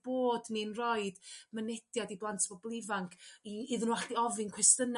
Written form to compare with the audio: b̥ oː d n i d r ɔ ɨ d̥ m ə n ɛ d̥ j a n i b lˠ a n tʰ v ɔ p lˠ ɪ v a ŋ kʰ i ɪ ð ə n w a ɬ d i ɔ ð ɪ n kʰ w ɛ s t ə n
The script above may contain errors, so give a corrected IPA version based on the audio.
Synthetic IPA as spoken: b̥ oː d n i n r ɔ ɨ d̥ m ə n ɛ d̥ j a d i b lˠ a n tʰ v ɔ b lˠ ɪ v a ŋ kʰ i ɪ ð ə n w a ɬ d i ɔ v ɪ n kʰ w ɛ s t ə n